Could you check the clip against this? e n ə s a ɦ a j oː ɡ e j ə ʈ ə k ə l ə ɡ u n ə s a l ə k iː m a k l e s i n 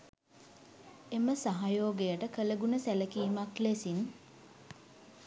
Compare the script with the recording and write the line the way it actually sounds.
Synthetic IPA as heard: e m ə s a ɦ a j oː ɡ e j ə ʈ ə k ə l ə ɡ u n ə s æ l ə k iː m a k l e s i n